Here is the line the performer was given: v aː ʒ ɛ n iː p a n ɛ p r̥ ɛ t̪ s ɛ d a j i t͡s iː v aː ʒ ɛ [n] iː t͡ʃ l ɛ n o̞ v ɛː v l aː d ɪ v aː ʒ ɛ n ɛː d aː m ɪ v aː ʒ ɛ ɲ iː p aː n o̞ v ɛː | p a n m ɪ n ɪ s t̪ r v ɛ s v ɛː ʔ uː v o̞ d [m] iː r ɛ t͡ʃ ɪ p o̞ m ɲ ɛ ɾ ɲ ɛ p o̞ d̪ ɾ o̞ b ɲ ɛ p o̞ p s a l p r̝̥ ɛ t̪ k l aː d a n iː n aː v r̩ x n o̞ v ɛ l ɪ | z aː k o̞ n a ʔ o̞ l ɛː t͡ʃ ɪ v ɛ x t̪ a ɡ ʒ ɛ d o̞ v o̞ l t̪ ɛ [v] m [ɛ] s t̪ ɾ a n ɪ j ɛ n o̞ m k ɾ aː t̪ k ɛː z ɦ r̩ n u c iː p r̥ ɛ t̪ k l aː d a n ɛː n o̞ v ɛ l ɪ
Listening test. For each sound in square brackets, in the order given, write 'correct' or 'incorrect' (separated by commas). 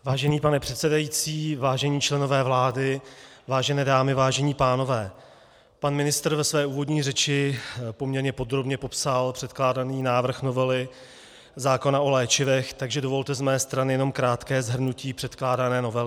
incorrect, incorrect, incorrect, incorrect